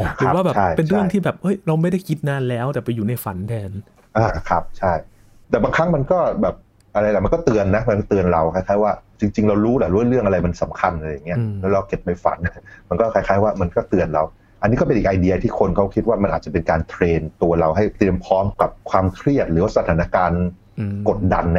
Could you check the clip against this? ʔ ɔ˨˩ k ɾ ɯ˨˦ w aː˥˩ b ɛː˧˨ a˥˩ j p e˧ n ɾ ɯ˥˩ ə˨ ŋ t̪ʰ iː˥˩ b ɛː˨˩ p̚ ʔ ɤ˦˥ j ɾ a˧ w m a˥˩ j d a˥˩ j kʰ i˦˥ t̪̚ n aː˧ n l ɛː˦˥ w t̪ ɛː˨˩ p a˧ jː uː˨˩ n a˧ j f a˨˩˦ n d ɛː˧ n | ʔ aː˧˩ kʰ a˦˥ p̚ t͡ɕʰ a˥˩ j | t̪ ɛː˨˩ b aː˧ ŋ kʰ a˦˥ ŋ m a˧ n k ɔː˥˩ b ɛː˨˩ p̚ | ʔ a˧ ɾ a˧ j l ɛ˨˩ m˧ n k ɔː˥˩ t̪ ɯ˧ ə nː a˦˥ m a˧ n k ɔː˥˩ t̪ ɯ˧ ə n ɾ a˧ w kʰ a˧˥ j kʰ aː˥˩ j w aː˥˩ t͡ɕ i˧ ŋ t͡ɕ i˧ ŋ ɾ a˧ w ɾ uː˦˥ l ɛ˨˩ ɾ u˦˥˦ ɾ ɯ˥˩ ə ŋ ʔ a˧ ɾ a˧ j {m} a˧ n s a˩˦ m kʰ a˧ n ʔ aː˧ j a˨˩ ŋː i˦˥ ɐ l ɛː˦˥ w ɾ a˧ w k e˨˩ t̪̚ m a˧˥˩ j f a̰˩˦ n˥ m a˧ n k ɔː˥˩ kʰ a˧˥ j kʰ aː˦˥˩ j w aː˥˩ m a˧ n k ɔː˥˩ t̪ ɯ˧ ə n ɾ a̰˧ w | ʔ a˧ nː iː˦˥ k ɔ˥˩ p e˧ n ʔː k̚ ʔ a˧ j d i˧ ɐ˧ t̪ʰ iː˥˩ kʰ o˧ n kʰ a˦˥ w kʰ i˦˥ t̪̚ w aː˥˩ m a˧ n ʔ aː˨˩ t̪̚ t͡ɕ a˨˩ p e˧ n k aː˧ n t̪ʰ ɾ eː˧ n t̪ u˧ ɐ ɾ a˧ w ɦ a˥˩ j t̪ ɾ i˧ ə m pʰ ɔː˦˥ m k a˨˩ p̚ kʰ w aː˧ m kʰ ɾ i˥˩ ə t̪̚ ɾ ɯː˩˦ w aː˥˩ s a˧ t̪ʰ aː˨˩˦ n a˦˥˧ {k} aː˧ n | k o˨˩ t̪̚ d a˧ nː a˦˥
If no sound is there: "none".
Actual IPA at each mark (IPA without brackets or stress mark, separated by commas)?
m, k